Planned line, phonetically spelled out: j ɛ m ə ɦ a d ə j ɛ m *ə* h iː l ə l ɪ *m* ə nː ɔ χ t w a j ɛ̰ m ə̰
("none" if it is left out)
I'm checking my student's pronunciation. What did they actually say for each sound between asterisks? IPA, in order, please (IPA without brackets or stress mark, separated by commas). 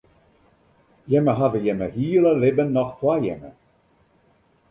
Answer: ə, b